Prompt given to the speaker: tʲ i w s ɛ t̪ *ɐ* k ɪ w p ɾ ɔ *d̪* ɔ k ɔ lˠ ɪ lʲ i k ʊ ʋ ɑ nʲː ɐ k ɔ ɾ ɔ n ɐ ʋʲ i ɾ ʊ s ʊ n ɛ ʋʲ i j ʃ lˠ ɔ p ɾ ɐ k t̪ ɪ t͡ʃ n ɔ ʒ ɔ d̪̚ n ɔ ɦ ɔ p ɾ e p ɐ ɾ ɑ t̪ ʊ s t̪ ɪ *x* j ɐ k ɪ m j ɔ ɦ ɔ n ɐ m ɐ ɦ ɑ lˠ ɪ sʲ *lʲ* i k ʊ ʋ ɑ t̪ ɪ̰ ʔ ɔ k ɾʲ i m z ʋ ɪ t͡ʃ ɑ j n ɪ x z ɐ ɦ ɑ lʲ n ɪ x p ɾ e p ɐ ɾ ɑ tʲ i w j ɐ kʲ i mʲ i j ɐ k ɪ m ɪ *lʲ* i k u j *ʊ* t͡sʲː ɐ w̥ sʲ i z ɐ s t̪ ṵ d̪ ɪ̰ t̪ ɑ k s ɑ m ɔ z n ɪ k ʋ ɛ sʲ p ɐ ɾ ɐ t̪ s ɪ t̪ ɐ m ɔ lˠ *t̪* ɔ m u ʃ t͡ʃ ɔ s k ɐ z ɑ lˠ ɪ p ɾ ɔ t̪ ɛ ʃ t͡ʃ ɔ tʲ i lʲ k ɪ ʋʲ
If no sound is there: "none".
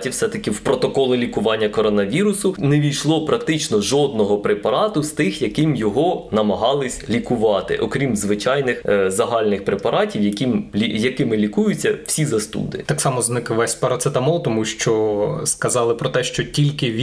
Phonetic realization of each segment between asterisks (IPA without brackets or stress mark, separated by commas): ɐ, t̪, x, lʲ, lʲ, ʊ, t̪